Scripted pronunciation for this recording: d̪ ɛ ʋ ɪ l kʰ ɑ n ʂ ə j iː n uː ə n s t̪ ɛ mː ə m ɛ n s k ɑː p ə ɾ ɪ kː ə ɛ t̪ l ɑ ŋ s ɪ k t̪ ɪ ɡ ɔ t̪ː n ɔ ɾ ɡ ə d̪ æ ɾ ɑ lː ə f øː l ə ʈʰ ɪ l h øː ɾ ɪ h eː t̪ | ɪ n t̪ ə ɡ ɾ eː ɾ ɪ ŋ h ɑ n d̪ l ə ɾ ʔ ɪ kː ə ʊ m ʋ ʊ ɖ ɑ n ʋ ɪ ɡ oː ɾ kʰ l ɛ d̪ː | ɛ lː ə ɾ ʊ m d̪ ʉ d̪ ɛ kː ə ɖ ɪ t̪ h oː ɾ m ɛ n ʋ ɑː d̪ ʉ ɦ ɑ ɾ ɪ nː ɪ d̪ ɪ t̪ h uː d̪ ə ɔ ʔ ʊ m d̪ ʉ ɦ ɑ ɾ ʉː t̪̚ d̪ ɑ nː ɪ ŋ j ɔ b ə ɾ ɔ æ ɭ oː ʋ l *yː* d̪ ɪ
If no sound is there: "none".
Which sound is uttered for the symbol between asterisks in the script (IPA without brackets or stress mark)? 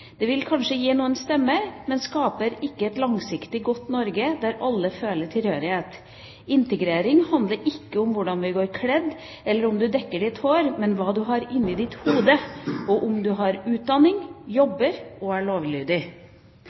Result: yː